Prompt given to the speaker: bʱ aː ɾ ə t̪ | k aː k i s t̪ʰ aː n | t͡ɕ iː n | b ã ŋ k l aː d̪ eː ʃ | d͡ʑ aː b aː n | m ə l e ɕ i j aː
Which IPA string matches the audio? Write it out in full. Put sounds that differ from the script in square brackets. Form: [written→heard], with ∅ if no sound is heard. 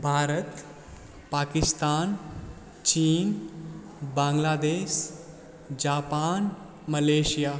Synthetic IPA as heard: bʱ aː ɾ ə t̪ | [k→p] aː k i s [t̪ʰ→t̪] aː n | t͡ɕ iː n | b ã ŋ [k→ɡ] l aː d̪ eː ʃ | d͡ʑ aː [b→p] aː n | m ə l e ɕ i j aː